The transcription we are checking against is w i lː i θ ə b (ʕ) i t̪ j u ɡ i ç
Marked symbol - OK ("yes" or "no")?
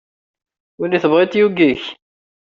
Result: no